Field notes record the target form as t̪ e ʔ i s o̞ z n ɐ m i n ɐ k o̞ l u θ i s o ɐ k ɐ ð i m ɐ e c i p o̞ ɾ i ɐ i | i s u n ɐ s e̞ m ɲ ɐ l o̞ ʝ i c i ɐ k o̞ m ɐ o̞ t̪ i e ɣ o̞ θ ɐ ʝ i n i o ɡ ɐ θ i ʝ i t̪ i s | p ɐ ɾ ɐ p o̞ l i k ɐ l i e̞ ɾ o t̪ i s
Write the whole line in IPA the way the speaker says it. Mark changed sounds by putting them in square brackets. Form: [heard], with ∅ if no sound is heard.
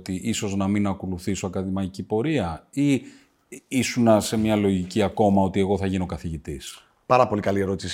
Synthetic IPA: t̪ [i] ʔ i s o̞ z n ɐ m i n ɐ k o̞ l u θ i s o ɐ k ɐ ð i m ɐ [i] c i p o̞ ɾ i ɐ i | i s u n ɐ s e̞ m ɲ ɐ l o̞ ʝ i c i ɐ k o̞ m ɐ o̞ t̪ i e ɣ o̞ θ ɐ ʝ i n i o [k] ɐ θ i ʝ i t̪ i s | p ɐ ɾ ɐ p o̞ l i k ɐ l i e̞ ɾ o t̪ i s